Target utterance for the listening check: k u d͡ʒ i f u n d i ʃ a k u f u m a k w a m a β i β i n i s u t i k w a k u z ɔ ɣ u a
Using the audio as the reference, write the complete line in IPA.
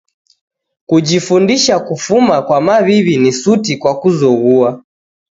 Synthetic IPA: k u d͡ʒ i f u n d i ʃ a k u f u m a k w a m a β i β i n i s u t i k w a k u z ɔ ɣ u a